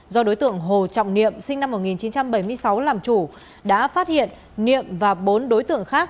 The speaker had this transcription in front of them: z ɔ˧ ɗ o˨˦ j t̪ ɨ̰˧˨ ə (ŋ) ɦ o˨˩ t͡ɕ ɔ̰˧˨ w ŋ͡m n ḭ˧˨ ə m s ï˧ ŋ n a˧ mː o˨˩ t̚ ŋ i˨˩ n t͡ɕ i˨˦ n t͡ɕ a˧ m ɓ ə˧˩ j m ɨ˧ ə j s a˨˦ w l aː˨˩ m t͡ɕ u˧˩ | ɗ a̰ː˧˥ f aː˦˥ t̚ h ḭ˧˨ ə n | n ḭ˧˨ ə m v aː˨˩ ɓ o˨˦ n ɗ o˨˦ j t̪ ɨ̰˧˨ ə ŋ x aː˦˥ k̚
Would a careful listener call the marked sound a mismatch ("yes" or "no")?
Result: no